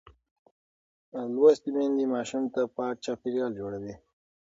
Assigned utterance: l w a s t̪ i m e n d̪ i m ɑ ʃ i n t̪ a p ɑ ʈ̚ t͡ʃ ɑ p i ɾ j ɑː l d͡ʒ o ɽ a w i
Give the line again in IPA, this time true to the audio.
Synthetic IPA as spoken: l w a s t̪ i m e n d̪ i m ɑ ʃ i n t̪ a p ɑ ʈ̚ t͡ʃ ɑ p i ɾ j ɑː l d͡ʒ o ɽ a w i